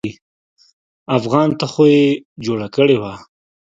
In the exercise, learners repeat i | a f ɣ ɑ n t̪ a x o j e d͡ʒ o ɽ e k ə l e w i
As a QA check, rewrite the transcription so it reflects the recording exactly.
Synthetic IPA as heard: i | a f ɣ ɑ n t̪ a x o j e d͡ʒ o ɽ a k ə ɽ e w a